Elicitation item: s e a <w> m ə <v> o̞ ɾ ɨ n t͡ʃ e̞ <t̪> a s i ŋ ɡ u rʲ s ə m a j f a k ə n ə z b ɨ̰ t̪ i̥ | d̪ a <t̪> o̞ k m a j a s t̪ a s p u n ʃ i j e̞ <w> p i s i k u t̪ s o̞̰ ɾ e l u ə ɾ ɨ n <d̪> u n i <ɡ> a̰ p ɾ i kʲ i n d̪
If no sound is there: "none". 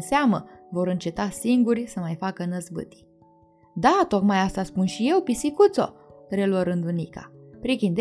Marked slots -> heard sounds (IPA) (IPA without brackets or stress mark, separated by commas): none, v, t̪, t̪, w, d̪, k